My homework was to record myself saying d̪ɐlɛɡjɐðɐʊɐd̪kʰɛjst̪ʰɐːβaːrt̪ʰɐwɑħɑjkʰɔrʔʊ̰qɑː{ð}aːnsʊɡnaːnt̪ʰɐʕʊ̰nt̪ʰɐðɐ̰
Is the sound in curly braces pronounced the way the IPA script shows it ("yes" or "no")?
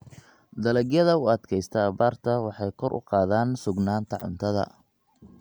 yes